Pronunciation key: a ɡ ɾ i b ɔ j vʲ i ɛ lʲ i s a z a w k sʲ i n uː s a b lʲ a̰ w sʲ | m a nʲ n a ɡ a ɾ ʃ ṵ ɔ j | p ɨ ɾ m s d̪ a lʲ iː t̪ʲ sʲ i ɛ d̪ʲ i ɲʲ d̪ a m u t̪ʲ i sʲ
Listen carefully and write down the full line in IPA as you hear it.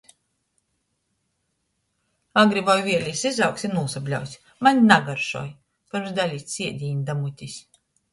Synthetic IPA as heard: a ɡ ɾ i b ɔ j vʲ i ɛ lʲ i s i z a w k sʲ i n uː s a b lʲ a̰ w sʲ | m a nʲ n a ɡ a ɾ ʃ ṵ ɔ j | p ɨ ɾ m s d̪ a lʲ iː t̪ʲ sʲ i ɛ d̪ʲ i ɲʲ d̪ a m u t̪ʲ i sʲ

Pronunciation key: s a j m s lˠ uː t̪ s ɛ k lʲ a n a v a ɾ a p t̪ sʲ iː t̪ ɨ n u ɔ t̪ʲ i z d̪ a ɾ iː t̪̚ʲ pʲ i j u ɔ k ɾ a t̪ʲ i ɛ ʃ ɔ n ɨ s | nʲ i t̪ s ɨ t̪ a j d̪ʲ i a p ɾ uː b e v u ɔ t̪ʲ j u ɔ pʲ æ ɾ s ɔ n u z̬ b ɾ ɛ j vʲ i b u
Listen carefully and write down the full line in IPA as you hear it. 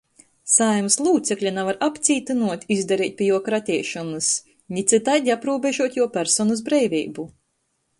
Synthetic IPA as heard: s a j m s lˠ uː t̪ s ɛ k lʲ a n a v a ɾ a p t̪ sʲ iː t̪ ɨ n u ɔ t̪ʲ i z d̪ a ɾ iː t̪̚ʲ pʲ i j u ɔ k ɾ a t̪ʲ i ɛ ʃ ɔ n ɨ s | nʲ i t̪ s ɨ t̪ a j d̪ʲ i a p ɾ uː b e ʒ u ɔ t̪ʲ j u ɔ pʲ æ ɾ s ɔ n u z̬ b ɾ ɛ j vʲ iː b u

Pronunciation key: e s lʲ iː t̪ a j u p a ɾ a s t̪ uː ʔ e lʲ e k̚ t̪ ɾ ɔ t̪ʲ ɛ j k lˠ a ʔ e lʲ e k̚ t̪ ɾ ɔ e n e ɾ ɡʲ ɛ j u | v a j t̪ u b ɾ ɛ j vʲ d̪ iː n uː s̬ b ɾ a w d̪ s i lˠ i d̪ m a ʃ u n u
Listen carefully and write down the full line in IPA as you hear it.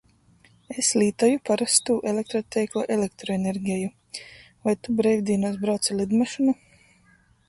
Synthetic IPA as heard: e s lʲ iː t̪ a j u p a ɾ a s t̪ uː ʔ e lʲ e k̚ t̪ ɾ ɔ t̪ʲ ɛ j k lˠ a ʔ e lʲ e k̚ t̪ ɾ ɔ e n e ɾ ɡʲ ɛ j u | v a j t̪ u b ɾ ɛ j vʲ d̪ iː n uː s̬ b ɾ a w t̪ s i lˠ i d̪ m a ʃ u n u

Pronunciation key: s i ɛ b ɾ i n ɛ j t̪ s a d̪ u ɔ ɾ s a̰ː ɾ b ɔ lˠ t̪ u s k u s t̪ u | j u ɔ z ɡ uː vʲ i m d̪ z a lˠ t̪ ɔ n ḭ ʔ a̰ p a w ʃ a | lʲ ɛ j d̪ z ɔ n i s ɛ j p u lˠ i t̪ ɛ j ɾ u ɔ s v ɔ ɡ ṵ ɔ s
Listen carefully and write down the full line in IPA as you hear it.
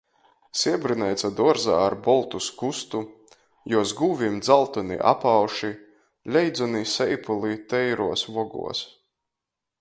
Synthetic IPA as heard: s i ɛ b ɾ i n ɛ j t̪ s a d̪ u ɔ ɾ z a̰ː ɾ b ɔ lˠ t̪ u s k u s t̪ u | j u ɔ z ɡ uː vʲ i m d̪ z a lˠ t̪ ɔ n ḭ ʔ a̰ p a w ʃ i | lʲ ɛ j d̪ z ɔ n i s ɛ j p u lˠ i t̪ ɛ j ɾ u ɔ s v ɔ ɡ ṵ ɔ s

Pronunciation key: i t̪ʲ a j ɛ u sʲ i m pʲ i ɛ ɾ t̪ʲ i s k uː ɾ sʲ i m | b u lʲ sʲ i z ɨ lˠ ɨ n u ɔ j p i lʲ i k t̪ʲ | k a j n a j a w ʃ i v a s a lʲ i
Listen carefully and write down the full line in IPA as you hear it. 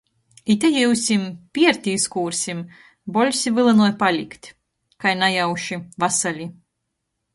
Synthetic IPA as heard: i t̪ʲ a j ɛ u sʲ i m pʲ i ɛ ɾ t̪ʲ i s k uː ɾ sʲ i m | b ɔ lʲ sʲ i v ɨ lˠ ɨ n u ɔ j p a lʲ i k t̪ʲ | k a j n a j a w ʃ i v a s a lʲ i

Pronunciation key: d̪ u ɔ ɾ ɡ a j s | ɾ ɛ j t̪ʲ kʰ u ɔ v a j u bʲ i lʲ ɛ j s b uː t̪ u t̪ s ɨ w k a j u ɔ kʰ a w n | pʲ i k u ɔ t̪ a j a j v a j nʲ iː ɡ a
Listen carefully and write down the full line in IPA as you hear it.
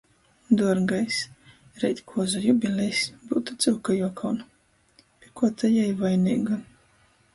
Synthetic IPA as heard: d̪ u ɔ ɾ ɡ a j s | ɾ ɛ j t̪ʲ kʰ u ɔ z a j u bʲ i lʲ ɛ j s b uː t̪ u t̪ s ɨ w k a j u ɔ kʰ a w n | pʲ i k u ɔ t̪ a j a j v a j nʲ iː ɡ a

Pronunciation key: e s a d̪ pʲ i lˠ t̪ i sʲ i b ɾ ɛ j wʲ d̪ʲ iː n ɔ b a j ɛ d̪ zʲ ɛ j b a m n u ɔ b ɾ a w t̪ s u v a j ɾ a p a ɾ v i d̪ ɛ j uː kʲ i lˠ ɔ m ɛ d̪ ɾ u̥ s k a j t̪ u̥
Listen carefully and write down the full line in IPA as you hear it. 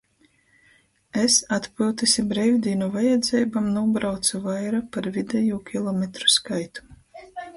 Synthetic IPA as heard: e s a t̪ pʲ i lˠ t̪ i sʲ i b ɾ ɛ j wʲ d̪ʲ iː n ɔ v a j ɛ d̪ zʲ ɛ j b a m n u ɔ b ɾ a w t̪ s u v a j ɾ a p a ɾ v i d̪ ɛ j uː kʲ i lˠ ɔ m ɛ t̪ ɾ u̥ s k a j t̪ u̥

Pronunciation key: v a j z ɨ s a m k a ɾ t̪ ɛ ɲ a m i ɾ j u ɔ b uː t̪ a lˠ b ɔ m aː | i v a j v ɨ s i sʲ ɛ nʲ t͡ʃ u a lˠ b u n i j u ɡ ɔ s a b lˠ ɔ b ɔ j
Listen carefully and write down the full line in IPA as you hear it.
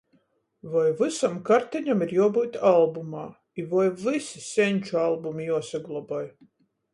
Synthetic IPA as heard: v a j v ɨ s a m k a ɾ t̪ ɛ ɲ a m i ɾ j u ɔ b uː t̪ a lˠ b u m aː | i v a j v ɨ s i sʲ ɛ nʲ t͡ʃ u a lˠ b u m i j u ɔ s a ɡ lˠ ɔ b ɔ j

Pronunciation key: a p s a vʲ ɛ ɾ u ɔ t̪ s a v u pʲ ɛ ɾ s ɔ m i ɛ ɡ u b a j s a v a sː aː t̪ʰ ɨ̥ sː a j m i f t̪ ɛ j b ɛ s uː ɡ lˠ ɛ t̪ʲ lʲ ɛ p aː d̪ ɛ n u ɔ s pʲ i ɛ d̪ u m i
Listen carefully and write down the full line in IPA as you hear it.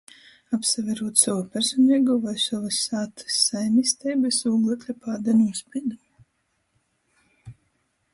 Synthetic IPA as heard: a p s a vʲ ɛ ɾ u ɔ t̪ s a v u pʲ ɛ ɾ s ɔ n i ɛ ɡ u v a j s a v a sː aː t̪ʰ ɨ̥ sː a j m i s t̪ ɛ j b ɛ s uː ɡ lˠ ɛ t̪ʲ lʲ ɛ p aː d̪ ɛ n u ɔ s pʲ i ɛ d̪ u m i

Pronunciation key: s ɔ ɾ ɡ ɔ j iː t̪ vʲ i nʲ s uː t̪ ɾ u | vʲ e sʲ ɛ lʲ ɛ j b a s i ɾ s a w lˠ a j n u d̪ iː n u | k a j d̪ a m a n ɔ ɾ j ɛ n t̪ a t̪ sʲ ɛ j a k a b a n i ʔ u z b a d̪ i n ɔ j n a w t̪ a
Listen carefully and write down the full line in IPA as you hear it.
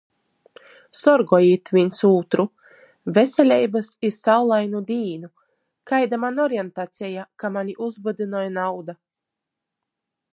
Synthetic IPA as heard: s ɔ ɾ ɡ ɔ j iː t̪ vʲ i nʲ s uː t̪ ɾ u | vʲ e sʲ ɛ lʲ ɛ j b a s i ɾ s a w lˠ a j n u d̪ iː n u | k a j d̪ a m a n ɔ ɾ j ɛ n t̪ a t̪ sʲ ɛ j a k a m a n i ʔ u z b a d̪ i n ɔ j n a w d̪ a

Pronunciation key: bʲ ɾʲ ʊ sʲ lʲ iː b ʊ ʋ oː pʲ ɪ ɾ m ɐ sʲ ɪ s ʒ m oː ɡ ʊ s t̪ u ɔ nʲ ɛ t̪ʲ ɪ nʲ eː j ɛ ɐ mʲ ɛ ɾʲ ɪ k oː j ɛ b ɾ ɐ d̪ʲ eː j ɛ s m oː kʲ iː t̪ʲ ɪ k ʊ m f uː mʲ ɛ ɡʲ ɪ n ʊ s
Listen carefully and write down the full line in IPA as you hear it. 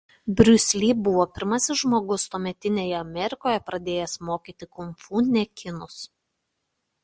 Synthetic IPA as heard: bʲ ɾʲ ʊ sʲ lʲ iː b ʊ ʋ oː pʲ ɪ ɾ m ɐ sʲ ɪ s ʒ m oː ɡ ʊ s t̪ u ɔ mʲ ɛ t̪ʲ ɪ nʲ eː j ɛ ɐ mʲ ɛ ɾʲ ɪ k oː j ɛ p ɾ ɐ d̪ʲ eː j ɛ s m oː kʲ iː t̪ʲ ɪ k ʊ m f uː nʲ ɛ kʲ ɪ n ʊ s

